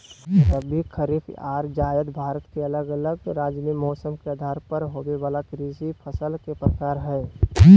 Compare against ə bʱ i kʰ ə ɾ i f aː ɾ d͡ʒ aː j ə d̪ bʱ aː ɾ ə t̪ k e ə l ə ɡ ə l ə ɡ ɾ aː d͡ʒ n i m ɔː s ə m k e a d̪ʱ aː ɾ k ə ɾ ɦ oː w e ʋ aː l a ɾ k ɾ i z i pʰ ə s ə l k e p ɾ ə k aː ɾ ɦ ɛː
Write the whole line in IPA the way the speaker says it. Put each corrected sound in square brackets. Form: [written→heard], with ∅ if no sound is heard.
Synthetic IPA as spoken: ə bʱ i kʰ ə ɾ i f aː ɾ d͡ʒ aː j ə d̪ bʱ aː ɾ ə t̪ k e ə l ə ɡ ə l ə ɡ ɾ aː d͡ʒ n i m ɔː s ə m k e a d̪ʱ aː ɾ [k→p] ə ɾ ɦ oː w e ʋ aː l a [ɾ→∅] k ɾ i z i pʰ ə s ə l k e p ɾ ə k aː ɾ ɦ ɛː